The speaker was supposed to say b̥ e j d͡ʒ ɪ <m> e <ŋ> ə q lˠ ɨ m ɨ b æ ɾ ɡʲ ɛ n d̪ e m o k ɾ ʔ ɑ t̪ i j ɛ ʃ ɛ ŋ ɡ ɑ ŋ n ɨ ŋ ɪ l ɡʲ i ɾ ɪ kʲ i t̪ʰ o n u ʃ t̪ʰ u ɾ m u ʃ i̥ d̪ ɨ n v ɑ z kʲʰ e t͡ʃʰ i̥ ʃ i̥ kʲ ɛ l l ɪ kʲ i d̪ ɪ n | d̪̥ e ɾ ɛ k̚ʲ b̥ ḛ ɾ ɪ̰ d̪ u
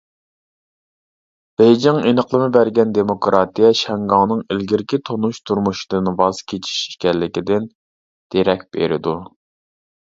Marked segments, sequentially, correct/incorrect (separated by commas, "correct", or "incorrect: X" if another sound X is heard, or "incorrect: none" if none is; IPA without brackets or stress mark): incorrect: ŋ, incorrect: n